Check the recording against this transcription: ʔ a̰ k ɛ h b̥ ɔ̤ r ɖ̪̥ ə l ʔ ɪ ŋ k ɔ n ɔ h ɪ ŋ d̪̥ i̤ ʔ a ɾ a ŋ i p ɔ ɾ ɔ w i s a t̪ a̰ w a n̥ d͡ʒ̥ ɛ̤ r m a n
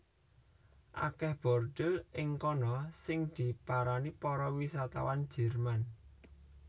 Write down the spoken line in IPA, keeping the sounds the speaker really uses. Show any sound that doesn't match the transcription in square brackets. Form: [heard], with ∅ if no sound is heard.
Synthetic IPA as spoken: ʔ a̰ k ɛ h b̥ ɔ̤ r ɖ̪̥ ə l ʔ ɪ ŋ k ɔ n ɔ [s] ɪ ŋ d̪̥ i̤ [p] a ɾ a [n] i p ɔ ɾ ɔ w i s a t̪ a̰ w a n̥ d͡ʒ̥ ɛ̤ r m a n

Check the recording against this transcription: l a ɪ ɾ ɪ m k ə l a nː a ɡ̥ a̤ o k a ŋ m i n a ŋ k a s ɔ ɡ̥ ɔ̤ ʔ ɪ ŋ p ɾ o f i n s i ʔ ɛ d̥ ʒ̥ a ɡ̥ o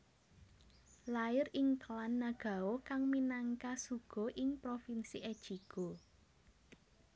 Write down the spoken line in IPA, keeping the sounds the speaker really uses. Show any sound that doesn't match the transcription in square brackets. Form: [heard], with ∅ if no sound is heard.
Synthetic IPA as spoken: l a ɪ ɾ ɪ [ŋ] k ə l a nː a ɡ̥ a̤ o k a ŋ m i n a ŋ k a s [u] ɡ̥ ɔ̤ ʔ ɪ ŋ p ɾ o f i n s i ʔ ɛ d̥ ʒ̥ [i] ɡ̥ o

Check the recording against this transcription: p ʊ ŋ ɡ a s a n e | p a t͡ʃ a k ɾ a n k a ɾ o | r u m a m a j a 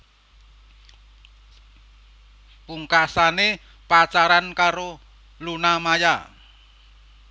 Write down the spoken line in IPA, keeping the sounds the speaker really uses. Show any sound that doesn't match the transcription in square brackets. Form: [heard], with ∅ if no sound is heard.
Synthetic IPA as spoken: p [u] ŋ [k] a s a n e | p a t͡ʃ a [∅] ɾ a n k a ɾ o | [l] u [n] a m a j a

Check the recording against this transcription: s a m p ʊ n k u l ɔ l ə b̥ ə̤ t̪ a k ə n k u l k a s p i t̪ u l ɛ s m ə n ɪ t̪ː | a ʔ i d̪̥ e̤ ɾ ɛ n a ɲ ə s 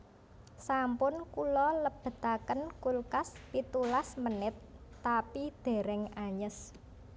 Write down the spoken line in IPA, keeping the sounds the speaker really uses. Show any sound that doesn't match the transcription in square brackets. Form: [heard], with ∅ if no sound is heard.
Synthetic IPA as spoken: s a m p ʊ n k u l ɔ l ə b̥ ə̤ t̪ a k ə n k u l k a s p i t̪ u l [a] s m ə n ɪ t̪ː | a [p] i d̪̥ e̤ ɾ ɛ [ŋ] a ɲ ə s

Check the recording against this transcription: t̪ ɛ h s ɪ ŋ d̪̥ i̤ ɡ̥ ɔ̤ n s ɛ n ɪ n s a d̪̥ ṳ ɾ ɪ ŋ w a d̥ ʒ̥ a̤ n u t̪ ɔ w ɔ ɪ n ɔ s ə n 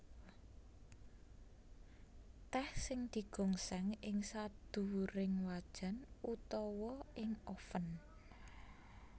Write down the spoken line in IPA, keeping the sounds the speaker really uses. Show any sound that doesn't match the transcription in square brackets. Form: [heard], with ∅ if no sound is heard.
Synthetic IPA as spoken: t̪ ɛ h s ɪ ŋ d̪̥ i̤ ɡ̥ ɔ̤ [ŋ] s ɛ [ŋ] ɪ [ŋ] s a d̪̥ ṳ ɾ ɪ ŋ w a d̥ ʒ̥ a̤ n u t̪ ɔ w ɔ ɪ [ŋ] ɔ [f] ə n

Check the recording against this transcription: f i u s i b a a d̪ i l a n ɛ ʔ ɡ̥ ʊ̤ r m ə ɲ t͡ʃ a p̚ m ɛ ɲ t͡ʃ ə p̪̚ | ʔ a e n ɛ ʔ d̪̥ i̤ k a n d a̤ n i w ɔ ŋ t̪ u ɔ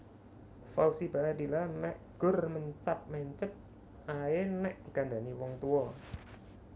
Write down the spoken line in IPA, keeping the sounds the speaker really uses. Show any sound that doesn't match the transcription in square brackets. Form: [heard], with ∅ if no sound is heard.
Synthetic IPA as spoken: f [a] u s i b a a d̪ i l a n ɛ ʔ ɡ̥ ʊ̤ r m ə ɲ t͡ʃ a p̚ m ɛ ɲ t͡ʃ ə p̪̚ | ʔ a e n ɛ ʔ d̪̥ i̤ k a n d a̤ n i w ɔ ŋ t̪ u ɔ

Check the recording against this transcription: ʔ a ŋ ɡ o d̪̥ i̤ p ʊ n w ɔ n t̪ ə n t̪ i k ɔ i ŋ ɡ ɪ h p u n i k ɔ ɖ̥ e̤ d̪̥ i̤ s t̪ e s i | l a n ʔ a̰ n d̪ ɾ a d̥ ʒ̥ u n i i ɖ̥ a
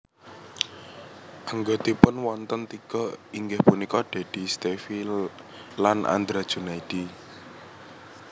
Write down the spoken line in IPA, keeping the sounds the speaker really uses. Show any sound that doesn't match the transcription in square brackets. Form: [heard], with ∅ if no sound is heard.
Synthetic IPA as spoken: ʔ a ŋ ɡ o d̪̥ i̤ p ʊ n w ɔ n t̪ ə n t̪ i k ɔ i ŋ ɡ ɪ h p u n i k ɔ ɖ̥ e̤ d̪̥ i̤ s t̪ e [f] i | l a n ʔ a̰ n d̪ ɾ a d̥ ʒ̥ u n [a] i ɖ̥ [i]

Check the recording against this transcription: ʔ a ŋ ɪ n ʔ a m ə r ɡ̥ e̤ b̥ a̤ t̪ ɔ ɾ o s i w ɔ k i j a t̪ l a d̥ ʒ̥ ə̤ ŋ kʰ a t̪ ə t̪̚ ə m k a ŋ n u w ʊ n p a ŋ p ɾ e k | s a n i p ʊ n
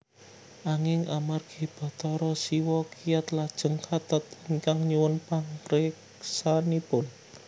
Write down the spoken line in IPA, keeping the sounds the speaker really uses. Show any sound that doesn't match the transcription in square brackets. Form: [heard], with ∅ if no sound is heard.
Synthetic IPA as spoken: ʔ a ŋ ɪ [ŋ] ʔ a m [a] r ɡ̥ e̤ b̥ a̤ t̪ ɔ ɾ [ɔ] s i w ɔ k i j a t̪ l a d̥ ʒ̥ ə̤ ŋ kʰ a t̪ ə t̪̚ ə [ŋ] k a ŋ [ɲ] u w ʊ n p a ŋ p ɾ e k | s a n i p ʊ n

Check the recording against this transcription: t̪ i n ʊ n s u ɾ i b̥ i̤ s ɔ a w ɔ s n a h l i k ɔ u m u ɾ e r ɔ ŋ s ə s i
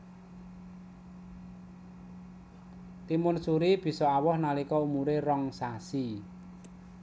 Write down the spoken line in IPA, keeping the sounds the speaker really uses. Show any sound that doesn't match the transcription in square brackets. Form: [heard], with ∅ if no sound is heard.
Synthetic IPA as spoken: t̪ i [m] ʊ n s u ɾ i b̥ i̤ s ɔ a w ɔ [h] n a [∅] l i k ɔ u m u ɾ e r ɔ ŋ s [a] s i

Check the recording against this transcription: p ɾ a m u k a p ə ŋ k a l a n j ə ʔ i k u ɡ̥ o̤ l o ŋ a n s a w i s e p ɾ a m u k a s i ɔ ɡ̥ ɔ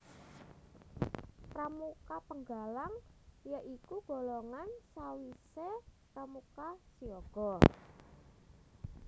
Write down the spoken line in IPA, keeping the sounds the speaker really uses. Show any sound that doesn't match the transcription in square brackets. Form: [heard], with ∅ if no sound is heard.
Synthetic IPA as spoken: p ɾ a m u k a p ə ŋ [ɡ] a l a [ŋ] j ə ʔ i k u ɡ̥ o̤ l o ŋ a n s a w i s e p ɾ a m u k a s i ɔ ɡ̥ ɔ

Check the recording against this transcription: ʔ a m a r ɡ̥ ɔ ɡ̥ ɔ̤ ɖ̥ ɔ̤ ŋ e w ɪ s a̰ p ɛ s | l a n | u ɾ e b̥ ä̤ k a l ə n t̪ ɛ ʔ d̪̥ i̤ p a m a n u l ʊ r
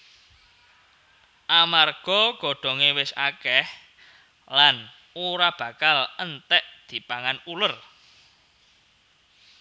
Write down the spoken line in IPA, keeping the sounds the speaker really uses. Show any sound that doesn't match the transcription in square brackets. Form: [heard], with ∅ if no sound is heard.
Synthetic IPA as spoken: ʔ a m a r ɡ̥ ɔ ɡ̥ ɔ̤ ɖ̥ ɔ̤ ŋ e w ɪ s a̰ [k] ɛ [h] | l a n | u ɾ [a] b̥ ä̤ k a l ə n t̪ ɛ ʔ d̪̥ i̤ p a [ŋ] a n u l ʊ r

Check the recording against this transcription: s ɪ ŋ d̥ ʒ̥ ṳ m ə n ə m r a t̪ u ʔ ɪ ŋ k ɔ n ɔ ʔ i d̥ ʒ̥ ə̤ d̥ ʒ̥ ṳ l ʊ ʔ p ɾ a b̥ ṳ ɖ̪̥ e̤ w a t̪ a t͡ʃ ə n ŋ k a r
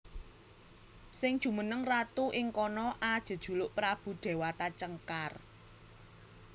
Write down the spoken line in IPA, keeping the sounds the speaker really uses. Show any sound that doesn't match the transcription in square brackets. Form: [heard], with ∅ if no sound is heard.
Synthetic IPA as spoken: s ɪ ŋ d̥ ʒ̥ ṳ m ə n ə [ŋ] r a t̪ u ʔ ɪ ŋ k ɔ n ɔ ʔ [a] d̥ ʒ̥ ə̤ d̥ ʒ̥ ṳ l ʊ ʔ p ɾ a b̥ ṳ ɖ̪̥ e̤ w a t̪ a t͡ʃ ə [∅] ŋ k a r

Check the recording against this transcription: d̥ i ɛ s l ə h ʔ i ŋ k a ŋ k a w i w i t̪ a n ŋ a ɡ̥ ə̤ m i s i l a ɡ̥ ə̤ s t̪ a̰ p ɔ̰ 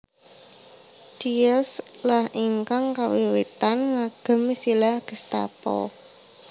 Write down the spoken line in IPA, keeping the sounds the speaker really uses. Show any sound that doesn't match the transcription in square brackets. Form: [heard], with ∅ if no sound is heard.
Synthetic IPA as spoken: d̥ i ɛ s l [a] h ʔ i ŋ k a ŋ k a w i w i t̪ a n ŋ a ɡ̥ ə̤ m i s i l a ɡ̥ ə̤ s t̪ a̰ p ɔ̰

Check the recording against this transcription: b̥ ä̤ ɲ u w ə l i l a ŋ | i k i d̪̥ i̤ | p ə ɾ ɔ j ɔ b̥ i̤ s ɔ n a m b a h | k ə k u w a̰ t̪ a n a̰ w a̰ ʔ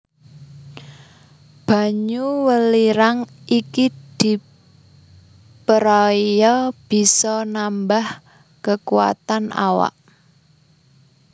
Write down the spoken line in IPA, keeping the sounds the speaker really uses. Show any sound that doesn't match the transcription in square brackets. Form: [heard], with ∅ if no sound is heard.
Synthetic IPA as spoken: b̥ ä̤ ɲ u w ə l i [ɾ] a ŋ | i k i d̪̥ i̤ | p ə ɾ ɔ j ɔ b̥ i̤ s ɔ n a m b a h | k ə k u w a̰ t̪ a n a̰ w a̰ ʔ

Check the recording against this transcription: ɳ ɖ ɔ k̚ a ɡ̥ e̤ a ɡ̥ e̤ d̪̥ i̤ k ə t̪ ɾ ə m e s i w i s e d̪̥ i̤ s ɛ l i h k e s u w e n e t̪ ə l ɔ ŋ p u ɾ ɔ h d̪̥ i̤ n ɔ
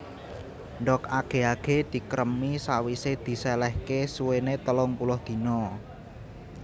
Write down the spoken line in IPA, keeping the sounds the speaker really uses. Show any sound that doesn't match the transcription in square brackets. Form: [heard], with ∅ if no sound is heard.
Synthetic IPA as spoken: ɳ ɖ ɔ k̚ a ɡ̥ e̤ a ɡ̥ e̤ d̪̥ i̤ k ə [∅] ɾ ə m [i] s [a] w i s e d̪̥ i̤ s ɛ l [ɛ] h k e s u w e n e t̪ ə l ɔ ŋ p u [l] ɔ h d̪̥ i̤ n ɔ

